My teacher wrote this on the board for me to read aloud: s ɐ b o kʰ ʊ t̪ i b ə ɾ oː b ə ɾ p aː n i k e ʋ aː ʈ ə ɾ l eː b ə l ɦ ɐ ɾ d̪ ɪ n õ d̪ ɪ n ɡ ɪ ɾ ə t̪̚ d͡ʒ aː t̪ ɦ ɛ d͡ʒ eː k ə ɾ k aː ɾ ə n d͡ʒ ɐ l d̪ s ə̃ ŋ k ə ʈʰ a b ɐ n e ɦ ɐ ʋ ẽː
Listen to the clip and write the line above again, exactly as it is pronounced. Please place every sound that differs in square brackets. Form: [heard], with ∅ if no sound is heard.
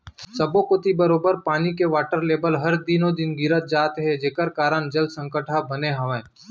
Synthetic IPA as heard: s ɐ b o [k] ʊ t̪ i b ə ɾ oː b ə ɾ p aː n i k e ʋ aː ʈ ə ɾ l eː b ə l ɦ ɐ ɾ d̪ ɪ n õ d̪ ɪ n ɡ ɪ ɾ ə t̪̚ d͡ʒ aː t̪ ɦ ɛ d͡ʒ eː k ə ɾ k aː ɾ ə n d͡ʒ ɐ l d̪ s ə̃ ŋ k ə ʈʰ a b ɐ n e ɦ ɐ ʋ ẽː